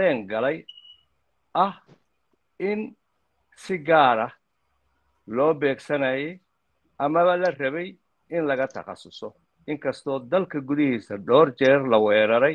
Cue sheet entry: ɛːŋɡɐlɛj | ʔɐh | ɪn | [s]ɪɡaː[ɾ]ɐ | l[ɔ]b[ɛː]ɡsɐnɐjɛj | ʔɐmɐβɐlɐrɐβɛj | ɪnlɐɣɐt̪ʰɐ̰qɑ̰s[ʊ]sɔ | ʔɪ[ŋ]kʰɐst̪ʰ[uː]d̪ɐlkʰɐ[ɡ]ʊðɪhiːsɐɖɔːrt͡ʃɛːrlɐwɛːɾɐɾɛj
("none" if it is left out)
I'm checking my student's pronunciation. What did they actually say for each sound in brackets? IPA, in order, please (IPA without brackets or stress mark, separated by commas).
s, ɾ, ɔː, ɛː, ʊ, ŋ, ɔː, ɡ